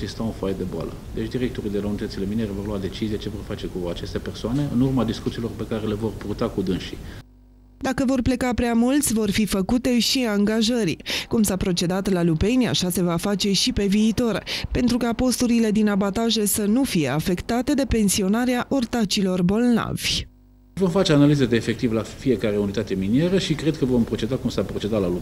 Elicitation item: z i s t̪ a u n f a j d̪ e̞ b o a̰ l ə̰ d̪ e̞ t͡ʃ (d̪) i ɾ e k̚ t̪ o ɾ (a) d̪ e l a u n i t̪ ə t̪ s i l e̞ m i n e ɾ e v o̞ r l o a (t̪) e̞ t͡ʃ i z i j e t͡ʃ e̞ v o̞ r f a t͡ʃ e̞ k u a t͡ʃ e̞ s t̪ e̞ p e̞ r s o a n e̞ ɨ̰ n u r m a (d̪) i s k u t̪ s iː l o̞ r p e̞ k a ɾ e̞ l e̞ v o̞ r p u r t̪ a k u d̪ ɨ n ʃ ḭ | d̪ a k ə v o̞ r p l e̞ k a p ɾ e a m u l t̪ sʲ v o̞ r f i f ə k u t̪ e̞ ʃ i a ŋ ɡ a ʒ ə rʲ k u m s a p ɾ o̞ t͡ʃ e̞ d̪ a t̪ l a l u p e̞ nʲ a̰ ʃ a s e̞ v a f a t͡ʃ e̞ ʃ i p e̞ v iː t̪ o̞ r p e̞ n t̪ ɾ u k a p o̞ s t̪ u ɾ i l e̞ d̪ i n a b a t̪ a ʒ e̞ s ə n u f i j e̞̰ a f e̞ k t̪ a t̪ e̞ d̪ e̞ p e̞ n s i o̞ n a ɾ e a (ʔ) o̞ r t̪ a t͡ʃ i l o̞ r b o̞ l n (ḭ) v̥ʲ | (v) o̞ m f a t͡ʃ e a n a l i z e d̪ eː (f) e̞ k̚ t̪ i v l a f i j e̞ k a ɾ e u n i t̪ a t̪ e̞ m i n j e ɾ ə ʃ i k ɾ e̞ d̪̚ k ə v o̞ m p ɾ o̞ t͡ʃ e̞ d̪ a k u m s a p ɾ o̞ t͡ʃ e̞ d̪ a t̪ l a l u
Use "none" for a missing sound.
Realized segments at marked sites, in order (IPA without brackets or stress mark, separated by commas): d̪, i, d̪, d̪, ʔ, a̰, v, f